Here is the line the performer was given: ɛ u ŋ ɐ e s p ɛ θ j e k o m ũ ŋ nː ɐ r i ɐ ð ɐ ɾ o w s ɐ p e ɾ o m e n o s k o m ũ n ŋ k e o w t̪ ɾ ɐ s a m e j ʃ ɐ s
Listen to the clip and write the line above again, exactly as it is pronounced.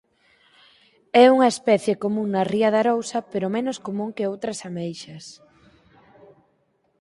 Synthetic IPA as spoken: ɛ u ŋ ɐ e s p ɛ θ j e k o m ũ ŋ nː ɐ r i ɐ ð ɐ ɾ o w s ɐ p e ɾ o m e n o s k o m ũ ŋ k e o w t̪ ɾ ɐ s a m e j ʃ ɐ s